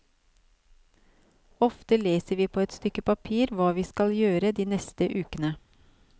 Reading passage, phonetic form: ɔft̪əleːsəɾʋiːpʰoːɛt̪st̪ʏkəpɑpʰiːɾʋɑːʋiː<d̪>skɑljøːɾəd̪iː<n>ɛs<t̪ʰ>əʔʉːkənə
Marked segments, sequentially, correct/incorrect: incorrect: none, correct, incorrect: t̪

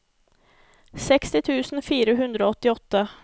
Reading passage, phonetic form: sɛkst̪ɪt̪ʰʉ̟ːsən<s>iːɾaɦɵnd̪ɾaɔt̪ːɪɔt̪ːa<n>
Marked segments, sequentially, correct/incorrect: incorrect: f, incorrect: none

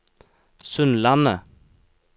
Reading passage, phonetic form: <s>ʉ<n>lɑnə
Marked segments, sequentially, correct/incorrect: correct, correct

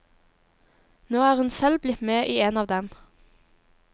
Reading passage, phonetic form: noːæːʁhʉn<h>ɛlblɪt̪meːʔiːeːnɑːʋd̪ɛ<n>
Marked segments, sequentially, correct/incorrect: incorrect: s, incorrect: m

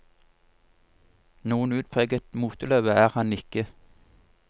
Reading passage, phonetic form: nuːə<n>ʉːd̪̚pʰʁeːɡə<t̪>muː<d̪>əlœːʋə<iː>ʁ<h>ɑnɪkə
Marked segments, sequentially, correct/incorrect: correct, correct, incorrect: t̪, incorrect: æː, correct

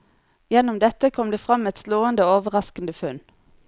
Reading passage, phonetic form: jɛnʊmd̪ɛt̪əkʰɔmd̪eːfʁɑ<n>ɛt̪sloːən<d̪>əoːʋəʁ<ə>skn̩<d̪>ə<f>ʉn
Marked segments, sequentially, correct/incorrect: incorrect: m, correct, incorrect: ɑ, correct, correct

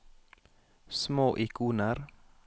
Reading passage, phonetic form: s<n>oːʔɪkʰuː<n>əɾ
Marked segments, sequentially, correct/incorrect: incorrect: m, correct

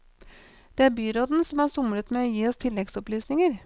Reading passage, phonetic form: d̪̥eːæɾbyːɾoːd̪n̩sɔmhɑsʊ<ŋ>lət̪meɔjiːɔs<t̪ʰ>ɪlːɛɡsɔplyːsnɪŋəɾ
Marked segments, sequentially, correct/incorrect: incorrect: m, correct

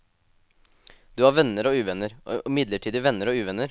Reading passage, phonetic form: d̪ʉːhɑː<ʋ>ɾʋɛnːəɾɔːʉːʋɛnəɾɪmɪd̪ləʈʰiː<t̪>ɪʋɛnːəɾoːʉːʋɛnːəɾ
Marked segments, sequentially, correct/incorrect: incorrect: none, incorrect: d̪

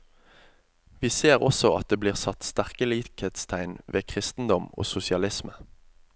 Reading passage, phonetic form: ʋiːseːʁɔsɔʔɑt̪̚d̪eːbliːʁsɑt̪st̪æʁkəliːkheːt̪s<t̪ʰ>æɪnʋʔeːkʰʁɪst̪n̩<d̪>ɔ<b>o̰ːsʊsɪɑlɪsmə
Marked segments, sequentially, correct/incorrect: correct, correct, incorrect: m

